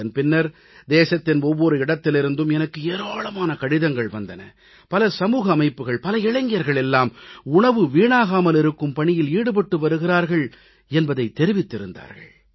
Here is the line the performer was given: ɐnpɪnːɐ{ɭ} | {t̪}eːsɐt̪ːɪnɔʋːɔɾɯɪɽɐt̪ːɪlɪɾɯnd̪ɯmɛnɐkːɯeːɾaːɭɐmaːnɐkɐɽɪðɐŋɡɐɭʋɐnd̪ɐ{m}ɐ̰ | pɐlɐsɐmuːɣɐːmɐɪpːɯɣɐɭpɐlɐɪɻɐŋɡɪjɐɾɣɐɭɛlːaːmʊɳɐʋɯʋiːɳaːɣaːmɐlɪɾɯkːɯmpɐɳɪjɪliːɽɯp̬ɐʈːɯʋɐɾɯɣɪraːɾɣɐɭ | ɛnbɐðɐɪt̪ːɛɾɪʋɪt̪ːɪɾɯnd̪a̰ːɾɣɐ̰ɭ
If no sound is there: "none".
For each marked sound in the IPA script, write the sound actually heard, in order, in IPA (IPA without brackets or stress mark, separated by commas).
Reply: ɾ, d̪, n